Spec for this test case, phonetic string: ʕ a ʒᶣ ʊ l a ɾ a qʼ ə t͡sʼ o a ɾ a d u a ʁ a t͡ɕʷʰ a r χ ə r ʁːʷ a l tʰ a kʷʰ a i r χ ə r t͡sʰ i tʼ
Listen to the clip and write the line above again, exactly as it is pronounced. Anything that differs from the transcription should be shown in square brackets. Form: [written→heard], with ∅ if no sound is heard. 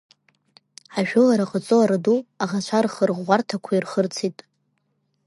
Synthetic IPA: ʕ a ʒᶣ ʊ l a ɾ a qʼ ə t͡sʼ o a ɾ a d u a ʁ a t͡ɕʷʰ a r χ ə r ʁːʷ a [l→r] tʰ a kʷʰ a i r χ ə r t͡sʰ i tʼ